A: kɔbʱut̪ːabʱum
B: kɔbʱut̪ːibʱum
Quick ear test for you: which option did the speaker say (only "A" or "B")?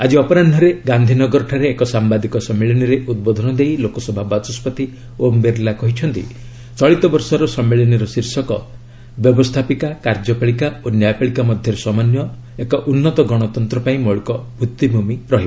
B